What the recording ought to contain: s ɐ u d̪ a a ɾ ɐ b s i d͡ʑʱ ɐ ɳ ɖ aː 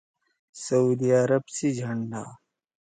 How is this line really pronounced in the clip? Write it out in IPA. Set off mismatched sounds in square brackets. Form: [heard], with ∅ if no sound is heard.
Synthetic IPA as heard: s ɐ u d̪ [i] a ɾ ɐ b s i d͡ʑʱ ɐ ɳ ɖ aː